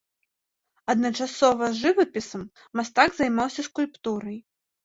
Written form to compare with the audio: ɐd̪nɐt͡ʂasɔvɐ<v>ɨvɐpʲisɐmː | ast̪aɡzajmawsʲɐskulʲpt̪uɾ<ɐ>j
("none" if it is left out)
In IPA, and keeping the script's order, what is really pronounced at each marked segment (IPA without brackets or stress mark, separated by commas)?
ʐ, ɐ